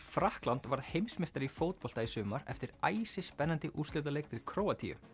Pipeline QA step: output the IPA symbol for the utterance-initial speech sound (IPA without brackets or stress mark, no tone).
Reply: f